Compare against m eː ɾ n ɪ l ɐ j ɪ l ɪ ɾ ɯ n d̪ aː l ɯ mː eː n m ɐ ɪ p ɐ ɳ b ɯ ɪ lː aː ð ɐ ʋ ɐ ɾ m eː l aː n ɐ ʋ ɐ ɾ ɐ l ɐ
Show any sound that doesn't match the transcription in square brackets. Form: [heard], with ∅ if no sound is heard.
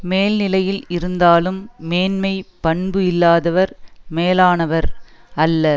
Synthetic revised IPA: m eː [l] n ɪ l ɐ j ɪ l ɪ ɾ ɯ n d̪ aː l ɯ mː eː n m ɐ ɪ p ɐ ɳ b ɯ ɪ lː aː ð ɐ ʋ ɐ ɾ m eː l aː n ɐ ʋ ɐ ɾ ɐ [lː] ɐ